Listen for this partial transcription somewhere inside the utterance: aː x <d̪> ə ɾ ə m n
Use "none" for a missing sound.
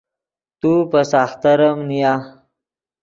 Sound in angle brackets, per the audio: t̪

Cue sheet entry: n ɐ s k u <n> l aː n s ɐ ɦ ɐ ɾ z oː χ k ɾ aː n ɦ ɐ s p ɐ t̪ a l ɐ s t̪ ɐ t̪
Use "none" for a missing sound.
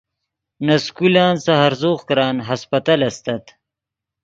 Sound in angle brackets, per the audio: none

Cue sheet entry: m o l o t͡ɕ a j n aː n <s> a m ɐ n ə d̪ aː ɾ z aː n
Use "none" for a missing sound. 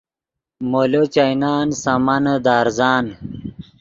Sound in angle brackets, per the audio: s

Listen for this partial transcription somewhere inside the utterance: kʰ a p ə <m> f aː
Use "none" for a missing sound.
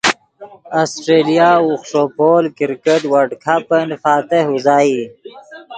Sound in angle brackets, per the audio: n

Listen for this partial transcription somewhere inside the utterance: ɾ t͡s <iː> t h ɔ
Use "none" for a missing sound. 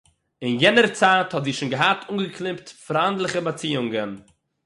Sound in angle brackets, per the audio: aː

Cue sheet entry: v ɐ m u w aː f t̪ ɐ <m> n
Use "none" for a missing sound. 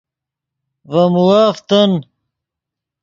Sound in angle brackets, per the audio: none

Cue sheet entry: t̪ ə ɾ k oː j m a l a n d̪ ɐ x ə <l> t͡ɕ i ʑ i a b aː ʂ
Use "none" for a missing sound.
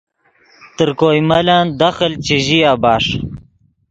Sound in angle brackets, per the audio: l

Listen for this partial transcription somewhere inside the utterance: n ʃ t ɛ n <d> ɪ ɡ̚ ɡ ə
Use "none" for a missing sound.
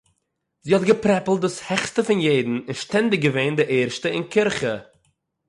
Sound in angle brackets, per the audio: d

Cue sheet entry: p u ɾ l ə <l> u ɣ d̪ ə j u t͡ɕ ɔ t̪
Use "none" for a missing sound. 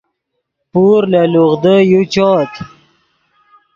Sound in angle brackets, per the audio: l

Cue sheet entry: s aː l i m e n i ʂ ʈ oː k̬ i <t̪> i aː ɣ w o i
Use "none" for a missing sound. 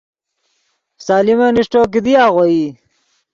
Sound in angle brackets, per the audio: d̪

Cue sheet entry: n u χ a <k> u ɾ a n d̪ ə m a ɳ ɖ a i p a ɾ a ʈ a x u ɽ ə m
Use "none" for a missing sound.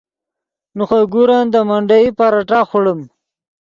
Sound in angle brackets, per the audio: ɡ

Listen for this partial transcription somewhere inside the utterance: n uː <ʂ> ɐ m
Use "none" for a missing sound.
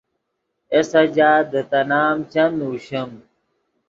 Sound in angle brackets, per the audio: ɕ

